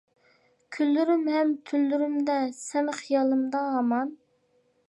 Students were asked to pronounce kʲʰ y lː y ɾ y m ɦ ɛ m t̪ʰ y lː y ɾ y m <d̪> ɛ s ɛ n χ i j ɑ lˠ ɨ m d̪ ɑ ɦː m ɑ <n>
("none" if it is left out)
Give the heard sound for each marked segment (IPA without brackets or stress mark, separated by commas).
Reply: d̪, n